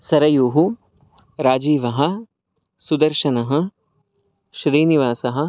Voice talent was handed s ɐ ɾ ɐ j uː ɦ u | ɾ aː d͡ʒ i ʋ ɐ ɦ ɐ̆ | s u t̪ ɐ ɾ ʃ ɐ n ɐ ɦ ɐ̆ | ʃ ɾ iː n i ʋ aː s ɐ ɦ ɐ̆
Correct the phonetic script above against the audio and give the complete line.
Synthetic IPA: s ɐ ɾ ɐ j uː ɦ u | ɾ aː d͡ʒ iː ʋ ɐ ɦ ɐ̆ | s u d̪ ɐ ɾ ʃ ɐ n ɐ ɦ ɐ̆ | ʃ ɾ iː n i ʋ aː s ɐ ɦ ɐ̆